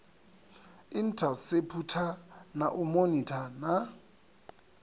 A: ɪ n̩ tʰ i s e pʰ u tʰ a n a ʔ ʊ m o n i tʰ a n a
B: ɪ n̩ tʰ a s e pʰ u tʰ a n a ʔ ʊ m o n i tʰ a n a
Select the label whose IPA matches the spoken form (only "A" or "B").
B